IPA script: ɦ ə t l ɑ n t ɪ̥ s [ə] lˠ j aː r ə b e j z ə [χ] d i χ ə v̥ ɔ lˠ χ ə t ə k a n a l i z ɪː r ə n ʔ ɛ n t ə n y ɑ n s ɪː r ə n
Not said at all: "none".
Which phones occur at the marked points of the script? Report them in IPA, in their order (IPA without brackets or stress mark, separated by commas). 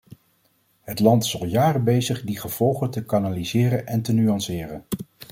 ɑ, χ